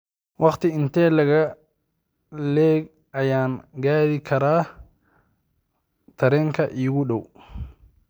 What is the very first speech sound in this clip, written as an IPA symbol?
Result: w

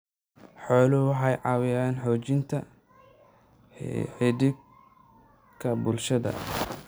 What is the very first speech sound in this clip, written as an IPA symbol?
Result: ħ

